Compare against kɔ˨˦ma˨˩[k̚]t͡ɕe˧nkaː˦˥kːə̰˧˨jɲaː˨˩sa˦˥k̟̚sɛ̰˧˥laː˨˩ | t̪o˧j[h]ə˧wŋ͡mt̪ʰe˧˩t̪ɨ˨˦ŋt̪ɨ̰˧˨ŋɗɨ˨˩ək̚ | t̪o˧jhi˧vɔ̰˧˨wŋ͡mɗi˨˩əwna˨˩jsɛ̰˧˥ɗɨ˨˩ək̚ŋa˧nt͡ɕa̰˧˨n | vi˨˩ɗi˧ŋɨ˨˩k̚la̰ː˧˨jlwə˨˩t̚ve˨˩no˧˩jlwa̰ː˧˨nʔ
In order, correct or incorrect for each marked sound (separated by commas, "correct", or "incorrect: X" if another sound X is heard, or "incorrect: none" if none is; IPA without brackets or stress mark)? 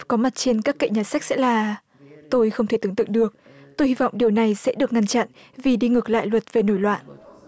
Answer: incorrect: t̚, incorrect: x